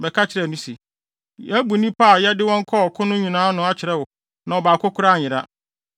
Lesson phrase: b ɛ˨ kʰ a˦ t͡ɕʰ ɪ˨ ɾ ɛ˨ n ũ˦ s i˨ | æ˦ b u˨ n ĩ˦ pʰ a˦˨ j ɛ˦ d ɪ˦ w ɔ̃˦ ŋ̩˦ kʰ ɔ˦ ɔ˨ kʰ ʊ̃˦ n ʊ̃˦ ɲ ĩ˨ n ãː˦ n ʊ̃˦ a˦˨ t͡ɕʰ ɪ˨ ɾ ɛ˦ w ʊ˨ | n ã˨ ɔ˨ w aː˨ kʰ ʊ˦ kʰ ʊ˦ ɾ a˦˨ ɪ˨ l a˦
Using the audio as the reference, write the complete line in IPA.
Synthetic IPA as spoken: b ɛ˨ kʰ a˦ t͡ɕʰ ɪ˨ ɾ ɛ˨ n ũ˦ s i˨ | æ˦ b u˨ n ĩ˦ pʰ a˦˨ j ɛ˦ d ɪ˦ w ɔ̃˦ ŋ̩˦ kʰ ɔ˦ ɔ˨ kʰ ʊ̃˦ n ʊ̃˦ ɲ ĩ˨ n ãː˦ n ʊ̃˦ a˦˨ t͡ɕʰ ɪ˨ ɾ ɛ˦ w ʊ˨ | n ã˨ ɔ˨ b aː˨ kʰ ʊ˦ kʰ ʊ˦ ɾ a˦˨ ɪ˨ ɾ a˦